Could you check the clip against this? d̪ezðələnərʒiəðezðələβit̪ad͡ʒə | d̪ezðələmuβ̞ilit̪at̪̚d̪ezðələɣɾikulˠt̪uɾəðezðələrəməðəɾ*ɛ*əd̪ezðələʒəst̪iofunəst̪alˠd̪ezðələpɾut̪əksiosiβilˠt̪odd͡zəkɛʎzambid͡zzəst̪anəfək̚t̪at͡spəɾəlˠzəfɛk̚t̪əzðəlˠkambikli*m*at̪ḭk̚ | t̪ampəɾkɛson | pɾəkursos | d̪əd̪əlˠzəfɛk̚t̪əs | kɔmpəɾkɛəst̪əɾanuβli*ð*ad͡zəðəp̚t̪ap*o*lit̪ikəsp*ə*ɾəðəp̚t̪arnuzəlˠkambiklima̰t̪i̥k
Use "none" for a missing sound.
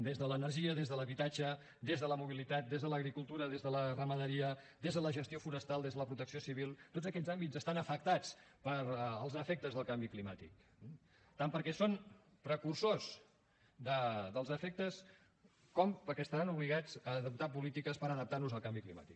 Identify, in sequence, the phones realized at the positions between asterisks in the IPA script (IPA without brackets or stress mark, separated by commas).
i, m, ɣ, u, ə